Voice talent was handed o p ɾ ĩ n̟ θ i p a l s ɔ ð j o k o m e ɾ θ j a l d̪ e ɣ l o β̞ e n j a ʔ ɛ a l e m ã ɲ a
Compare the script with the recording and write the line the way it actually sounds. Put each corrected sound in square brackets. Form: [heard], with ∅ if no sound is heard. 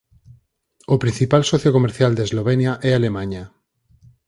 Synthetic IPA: o p ɾ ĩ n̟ θ i p a l s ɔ [θ] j o k o m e ɾ θ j a l d̪ e [z] l o β̞ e n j a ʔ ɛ a l e m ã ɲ a